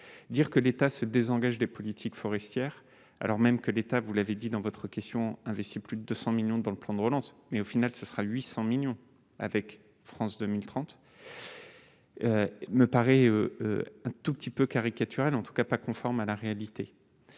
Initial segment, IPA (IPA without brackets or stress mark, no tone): d̪